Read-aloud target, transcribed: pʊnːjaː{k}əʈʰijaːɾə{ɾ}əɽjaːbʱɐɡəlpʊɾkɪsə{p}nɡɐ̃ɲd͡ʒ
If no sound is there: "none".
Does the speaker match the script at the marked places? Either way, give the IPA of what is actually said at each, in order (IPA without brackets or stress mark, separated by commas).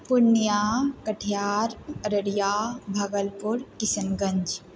k, ɾ, none